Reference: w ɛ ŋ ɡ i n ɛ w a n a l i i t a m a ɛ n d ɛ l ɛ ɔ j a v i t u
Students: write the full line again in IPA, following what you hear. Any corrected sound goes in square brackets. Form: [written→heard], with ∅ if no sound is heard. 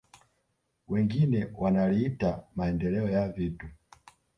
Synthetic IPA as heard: w ɛ ŋ ɡ i n ɛ w a n a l i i t a m a ɛ n d ɛ l ɛ ɔ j a v i t u